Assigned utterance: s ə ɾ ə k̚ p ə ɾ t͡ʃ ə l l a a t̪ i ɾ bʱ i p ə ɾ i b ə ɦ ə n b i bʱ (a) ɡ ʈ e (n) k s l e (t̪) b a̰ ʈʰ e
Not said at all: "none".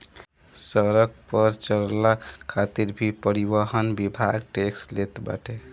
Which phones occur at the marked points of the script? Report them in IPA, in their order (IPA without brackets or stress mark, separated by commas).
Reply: a, none, t̪